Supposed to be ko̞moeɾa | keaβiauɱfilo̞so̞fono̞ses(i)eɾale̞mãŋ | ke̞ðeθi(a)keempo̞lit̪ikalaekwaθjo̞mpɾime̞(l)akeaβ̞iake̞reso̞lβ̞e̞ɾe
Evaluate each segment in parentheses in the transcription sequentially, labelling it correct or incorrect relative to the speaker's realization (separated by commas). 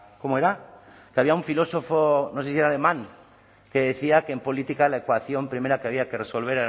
correct, correct, incorrect